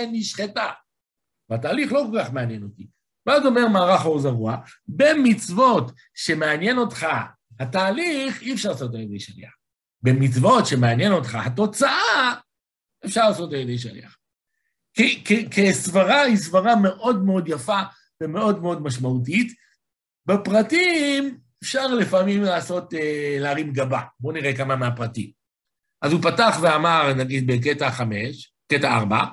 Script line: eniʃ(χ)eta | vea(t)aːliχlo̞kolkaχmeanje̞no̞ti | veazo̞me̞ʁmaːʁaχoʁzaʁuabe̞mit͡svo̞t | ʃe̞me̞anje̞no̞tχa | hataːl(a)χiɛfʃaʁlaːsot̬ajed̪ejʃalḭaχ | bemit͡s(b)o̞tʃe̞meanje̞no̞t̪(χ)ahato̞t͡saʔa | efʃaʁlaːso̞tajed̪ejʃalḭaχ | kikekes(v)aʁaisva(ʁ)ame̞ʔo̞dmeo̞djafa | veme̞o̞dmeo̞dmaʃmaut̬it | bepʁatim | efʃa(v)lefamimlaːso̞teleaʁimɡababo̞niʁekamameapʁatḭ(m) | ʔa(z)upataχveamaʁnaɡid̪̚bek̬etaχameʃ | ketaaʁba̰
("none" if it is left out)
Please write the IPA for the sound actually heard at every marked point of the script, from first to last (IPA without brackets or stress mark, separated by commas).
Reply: χ, t, i, v, χ, v, ʁ, ʁ, m, z